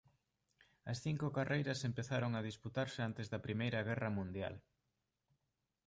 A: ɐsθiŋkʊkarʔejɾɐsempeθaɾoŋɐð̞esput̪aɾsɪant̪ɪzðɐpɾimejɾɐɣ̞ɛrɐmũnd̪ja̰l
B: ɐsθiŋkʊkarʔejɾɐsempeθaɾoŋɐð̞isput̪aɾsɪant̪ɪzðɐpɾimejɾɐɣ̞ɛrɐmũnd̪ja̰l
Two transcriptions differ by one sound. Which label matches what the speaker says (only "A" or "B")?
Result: B